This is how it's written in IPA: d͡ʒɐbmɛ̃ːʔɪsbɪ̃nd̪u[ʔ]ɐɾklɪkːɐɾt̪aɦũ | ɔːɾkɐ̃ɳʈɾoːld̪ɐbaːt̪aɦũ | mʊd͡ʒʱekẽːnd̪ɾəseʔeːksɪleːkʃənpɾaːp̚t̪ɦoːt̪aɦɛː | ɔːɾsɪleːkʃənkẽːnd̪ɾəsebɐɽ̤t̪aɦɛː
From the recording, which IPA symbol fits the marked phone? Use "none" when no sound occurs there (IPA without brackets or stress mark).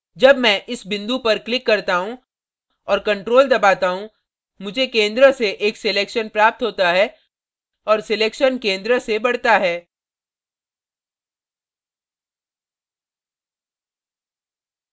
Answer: p